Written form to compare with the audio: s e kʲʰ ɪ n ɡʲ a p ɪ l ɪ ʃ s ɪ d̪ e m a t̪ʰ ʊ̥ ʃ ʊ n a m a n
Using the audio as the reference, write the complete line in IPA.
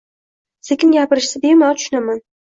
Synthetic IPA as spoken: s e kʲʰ ɪ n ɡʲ a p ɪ ɾ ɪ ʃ s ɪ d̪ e m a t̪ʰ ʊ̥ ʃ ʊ n a m a n

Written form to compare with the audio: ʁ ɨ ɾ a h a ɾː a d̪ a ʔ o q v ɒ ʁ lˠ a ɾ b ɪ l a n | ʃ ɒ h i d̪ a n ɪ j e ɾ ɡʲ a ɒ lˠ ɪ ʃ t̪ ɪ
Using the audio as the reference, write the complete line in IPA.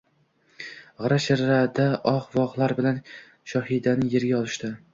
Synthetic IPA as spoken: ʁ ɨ ɾ a ʃ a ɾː a d̪ a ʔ ɒ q v ɒ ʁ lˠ a ɾ b ɪ l a n | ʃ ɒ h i d̪ a n ɪ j e ɾ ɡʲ a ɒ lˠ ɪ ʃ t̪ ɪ

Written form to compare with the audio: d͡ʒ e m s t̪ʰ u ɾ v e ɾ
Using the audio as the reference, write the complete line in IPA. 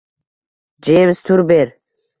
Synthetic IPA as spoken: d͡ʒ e m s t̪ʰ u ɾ b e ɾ

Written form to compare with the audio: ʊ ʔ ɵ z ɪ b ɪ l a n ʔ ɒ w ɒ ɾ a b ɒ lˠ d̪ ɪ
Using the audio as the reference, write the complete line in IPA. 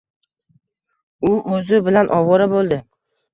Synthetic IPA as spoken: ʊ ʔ ɵ z ɪ b ɪ l a n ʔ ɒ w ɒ ɾ a b o lˠ d̪ ɪ

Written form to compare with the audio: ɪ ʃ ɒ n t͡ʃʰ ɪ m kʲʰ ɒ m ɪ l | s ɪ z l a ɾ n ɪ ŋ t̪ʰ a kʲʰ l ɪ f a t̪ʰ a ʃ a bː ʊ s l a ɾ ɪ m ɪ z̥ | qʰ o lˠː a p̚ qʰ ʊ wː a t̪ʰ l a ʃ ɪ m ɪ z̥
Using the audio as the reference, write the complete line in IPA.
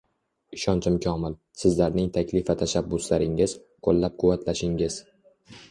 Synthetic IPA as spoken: ɪ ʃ ɒ n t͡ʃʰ ɪ m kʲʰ ɒ m ɪ l | s ɪ z l a ɾ n ɪ ŋ t̪ʰ a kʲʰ l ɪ f a t̪ʰ a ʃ a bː ʊ s l a ɾ ɪ ŋ ɪ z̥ | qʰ o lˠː a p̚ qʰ ʊ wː a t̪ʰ l a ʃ ɪ ŋ ɪ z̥

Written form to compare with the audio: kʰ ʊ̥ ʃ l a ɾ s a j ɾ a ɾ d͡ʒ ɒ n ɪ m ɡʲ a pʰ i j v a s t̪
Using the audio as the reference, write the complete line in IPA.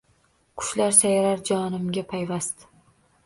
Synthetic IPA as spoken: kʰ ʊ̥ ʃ l a ɾ s a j ɾ a ɾ d͡ʒ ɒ n ɪ m ɡʲ a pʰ a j v a s t̪

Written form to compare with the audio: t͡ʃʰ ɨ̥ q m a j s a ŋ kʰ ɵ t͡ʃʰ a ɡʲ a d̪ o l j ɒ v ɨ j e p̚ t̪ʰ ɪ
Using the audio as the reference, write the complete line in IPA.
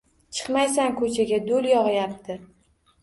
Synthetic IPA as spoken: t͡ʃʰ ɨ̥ q m a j s a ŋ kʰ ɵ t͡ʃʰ a ɡʲ a d̪ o l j ɒ ʁ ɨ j a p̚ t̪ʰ ɪ

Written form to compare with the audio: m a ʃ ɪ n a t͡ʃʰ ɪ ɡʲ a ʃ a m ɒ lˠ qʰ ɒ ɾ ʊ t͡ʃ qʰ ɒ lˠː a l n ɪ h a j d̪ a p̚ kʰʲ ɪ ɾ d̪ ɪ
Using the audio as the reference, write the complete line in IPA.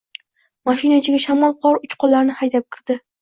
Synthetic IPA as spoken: m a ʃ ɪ n a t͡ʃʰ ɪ ɡʲ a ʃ a m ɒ lˠ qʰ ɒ ɾ ʊ t͡ʃ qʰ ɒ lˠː a ɾ n ɪ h a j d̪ a p̚ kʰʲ ɪ ɾ d̪ ɪ

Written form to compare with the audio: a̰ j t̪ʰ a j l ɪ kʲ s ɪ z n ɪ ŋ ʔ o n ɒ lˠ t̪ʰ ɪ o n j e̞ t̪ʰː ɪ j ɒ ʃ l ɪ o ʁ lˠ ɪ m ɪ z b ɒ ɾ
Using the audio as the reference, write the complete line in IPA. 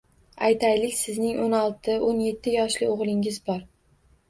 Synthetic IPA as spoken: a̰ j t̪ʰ a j l ɪ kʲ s ɪ z n ɪ ŋ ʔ o n ɒ lˠ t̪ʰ ɪ o n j e̞ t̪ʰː ɪ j ɒ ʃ l ɪ o ʁ lˠ ɪ ŋ ɪ z b ɒ ɾ

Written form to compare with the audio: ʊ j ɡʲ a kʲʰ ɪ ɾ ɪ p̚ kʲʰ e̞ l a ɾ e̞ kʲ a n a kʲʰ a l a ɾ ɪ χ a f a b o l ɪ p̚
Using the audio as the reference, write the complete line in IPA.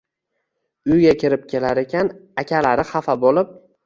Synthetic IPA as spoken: ʊ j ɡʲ a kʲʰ ɪ ɾ ɪ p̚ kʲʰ e̞ l a ɾ e̞ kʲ a n a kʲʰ a l a ɾ ɪ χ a f a b o l ɪ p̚

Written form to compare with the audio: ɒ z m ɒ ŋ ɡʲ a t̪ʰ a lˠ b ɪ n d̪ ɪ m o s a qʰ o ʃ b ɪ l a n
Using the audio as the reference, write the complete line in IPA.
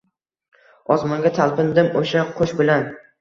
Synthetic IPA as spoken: ɒ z m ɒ ŋ ɡʲ a t̪ʰ a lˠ p ɪ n d̪ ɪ m o ʃ a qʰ o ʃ b ɪ l a n

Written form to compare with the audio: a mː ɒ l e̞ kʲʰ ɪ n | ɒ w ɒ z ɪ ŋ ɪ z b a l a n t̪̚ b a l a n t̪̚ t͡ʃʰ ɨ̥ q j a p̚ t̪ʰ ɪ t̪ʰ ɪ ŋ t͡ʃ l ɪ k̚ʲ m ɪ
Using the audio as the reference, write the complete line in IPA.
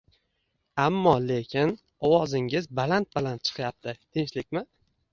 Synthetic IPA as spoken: a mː ɒ l e̞ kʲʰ ɪ n | ɒ w ɒ z ɪ ŋ ɪ z b a l a n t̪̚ b a l a n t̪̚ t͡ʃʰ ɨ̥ q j a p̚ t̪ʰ ɪ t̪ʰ ɪ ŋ t͡ʃ l ɪ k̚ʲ m ɪ

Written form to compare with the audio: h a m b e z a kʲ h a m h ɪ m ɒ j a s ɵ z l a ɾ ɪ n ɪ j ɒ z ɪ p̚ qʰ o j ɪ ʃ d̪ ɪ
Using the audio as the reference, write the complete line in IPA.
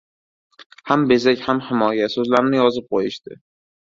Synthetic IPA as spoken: h a m b e z a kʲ h a m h ɪ m ɒ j a s ɵ z l a ɾ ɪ n ɪ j ɒ z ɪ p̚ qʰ o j ɪ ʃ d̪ ɪ

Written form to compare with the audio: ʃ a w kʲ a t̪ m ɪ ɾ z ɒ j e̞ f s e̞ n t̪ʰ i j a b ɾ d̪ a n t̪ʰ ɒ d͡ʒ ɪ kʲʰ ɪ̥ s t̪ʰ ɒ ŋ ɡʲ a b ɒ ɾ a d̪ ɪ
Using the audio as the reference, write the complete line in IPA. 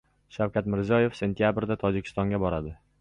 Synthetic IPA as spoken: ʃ a w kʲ a t̪ m ɪ ɾ z ɒ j e̞ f s e̞ n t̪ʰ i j a b ɾ d̪ a t̪ʰ ɒ d͡ʒ ɪ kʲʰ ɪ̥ s t̪ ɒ ŋ ɡʲ a b ɒ ɾ a d̪ ɪ

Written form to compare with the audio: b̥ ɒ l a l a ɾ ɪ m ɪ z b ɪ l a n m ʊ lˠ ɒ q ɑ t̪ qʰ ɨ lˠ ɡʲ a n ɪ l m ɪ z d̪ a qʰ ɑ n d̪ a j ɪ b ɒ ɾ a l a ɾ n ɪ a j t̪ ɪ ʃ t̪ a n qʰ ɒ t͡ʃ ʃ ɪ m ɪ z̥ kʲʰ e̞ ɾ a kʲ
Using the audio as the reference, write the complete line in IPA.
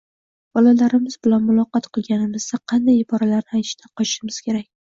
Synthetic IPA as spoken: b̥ ɒ l a l a ɾ ɪ m ɪ z b ɪ l a n m ʊ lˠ ɒ q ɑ t̪ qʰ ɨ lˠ ɡʲ a n ɪ m ɪ z d̪ a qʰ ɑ n d̪ a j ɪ b ɒ ɾ a l a ɾ n ɪ a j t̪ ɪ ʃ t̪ a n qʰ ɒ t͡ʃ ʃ ɪ m ɪ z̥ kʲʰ e̞ ɾ a kʲ

